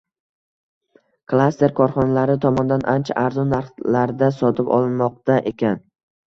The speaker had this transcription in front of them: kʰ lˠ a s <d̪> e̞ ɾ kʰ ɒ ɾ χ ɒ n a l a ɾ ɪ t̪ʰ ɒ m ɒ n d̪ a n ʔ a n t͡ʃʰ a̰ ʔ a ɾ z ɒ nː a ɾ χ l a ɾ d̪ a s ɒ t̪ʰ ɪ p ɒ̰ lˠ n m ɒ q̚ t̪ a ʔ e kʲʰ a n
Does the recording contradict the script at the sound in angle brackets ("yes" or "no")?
yes